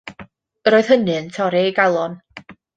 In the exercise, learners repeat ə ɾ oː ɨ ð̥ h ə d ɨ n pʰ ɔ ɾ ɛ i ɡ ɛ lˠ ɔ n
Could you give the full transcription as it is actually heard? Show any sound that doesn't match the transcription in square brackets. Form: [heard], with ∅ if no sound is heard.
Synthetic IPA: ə ɾ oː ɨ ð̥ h ə [n] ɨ n [tʰ] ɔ ɾ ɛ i ɡ [a] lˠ ɔ n